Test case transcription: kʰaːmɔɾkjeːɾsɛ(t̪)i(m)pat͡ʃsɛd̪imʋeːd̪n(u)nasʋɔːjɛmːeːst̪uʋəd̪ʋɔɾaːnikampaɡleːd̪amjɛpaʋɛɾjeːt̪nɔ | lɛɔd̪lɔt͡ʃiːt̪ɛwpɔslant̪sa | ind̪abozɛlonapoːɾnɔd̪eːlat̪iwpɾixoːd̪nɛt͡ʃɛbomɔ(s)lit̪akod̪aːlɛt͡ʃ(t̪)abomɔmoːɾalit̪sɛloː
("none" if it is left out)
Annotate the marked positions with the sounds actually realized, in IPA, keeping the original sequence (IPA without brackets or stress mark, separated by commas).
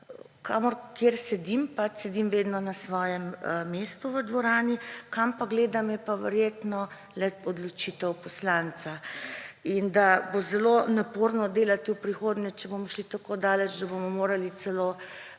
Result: d̪, m, ɔ, ʃ, d̪